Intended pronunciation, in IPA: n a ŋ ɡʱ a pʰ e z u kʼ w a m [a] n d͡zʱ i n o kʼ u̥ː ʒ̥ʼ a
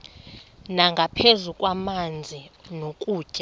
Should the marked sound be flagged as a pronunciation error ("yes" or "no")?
no